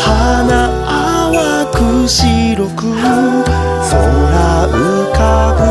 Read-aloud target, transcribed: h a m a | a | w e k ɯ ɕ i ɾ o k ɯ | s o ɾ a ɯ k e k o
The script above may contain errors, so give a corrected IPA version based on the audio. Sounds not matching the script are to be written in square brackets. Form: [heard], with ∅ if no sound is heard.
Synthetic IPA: h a [n] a | a | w [a] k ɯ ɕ i ɾ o k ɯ | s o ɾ a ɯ k [a] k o